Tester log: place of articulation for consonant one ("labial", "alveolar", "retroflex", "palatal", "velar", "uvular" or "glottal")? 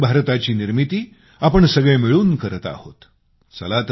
labial